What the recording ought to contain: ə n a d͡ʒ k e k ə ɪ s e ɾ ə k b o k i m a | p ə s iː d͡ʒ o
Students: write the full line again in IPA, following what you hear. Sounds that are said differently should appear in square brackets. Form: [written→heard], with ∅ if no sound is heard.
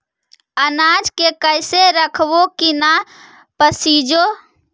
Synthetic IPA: ə n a d͡ʒ k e k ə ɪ s e ɾ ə [k→kʰ] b o k i [m→n] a | p ə s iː d͡ʒ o